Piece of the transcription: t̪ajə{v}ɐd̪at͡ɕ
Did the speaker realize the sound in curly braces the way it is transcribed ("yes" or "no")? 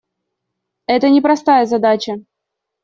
no